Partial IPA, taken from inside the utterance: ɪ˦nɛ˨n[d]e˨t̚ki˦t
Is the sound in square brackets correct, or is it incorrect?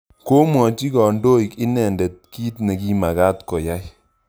correct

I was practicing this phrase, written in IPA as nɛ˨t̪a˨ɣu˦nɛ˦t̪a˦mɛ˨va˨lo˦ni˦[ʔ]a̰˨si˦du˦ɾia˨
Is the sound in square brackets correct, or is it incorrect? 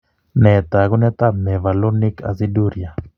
incorrect: k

